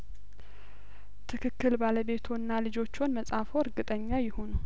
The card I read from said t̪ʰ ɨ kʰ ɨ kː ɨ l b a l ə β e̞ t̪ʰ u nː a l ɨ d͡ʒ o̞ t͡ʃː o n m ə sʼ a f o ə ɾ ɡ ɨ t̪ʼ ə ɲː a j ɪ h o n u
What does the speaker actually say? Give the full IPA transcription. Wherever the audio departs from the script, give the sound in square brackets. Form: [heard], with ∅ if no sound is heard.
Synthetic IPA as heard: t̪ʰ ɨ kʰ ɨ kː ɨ l b a l ə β e̞ t̪ʰ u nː a l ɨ d͡ʒ o̞ t͡ʃː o n m ə sʼ a f o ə ɾ ɡ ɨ t̪ʼ ə ɲː a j ɪ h o n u